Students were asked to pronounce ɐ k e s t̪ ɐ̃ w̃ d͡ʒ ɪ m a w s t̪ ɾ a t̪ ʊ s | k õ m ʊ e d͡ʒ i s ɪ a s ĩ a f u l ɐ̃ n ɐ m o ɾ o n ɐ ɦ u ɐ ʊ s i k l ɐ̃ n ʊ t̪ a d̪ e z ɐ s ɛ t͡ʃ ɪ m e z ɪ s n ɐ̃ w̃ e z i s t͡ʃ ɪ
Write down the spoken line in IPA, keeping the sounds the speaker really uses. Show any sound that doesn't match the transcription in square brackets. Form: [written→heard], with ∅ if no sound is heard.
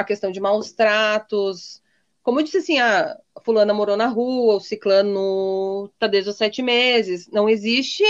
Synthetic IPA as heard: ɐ k e s t̪ ɐ̃ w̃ d͡ʒ ɪ m a w s t̪ ɾ a t̪ ʊ s | k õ m ʊ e d͡ʒ i s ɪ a s ĩ a f u l ɐ̃ n ɐ m o ɾ o n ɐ ɦ u ɐ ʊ s i k l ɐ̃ n ʊ t̪ a d̪ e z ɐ s ɛ t͡ʃ ɪ m e z ɪ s n ɐ̃ w̃ e z i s t͡ʃ ɪ